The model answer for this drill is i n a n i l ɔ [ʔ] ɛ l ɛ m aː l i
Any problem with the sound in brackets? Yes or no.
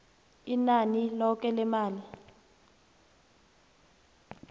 yes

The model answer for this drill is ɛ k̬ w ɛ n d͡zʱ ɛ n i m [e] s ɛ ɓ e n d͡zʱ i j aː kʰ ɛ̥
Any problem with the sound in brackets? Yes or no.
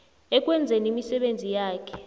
yes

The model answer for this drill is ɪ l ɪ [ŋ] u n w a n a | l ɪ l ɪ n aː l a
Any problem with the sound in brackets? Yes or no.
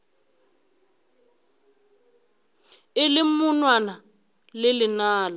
yes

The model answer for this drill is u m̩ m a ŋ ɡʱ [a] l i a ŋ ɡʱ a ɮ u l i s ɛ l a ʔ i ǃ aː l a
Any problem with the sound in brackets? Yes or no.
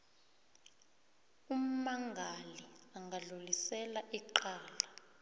no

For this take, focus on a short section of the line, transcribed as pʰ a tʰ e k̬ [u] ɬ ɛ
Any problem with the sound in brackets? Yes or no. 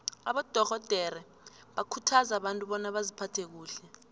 yes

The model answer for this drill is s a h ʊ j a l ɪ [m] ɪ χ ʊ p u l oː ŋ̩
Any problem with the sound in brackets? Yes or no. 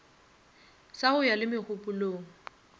no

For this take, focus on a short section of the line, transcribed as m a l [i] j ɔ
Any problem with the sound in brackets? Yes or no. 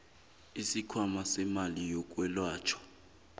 no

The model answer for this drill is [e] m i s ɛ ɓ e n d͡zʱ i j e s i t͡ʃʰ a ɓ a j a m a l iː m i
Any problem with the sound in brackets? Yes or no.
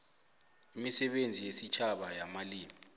yes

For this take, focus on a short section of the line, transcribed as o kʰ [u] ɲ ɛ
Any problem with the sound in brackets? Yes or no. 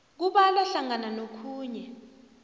yes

